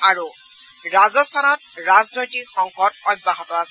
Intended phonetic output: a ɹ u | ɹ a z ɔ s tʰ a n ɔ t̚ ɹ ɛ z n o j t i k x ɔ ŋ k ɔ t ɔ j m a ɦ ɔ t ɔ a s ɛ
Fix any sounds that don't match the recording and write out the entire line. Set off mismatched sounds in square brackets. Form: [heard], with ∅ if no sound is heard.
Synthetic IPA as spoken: a ɹ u | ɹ a z ɔ s tʰ a n ɔ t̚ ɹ [a] z n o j t i k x ɔ ŋ k ɔ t ɔ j [b] a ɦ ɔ t ɔ a s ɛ